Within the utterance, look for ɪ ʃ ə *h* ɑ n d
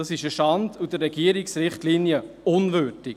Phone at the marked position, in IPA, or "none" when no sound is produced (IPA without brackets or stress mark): ʃ